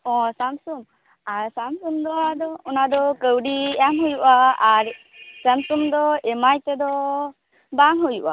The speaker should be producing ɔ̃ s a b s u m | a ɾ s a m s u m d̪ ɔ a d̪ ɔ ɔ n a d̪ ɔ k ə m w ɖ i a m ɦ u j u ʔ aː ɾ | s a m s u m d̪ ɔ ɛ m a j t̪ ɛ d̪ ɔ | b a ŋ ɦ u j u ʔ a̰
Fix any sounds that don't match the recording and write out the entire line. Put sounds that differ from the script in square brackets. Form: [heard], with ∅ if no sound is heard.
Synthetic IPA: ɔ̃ s a [m] s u m | a ɾ s a m s u m d̪ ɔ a d̪ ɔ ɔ n a d̪ ɔ k ə [∅] w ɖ i a m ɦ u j u ʔ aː ɾ | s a m s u m d̪ ɔ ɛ m a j t̪ ɛ d̪ ɔ | b a ŋ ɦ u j u ʔ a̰